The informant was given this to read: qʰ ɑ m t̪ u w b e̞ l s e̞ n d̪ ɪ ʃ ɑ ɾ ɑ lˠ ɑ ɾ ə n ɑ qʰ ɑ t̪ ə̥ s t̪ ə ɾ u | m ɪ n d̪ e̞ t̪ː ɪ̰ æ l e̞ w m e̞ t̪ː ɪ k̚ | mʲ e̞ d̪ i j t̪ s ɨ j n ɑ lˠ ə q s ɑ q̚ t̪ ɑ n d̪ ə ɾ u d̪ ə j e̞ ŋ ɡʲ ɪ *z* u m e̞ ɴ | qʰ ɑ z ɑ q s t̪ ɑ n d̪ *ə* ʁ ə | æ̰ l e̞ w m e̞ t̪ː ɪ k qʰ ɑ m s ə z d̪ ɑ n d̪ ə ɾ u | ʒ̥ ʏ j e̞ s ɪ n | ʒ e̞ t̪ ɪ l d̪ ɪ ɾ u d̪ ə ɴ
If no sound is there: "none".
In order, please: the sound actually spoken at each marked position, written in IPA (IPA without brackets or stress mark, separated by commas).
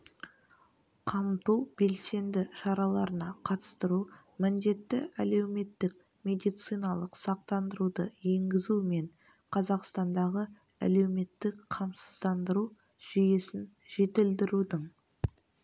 z, ɑ